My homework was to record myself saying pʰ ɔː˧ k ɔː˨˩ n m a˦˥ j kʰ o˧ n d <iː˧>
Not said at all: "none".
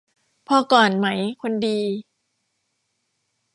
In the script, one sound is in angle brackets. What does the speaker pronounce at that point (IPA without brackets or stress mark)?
iː˧